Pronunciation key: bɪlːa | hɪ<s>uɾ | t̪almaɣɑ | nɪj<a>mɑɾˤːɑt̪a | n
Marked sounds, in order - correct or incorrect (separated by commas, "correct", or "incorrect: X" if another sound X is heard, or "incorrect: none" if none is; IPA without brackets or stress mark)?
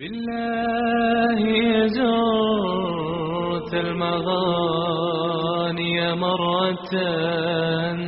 incorrect: z, correct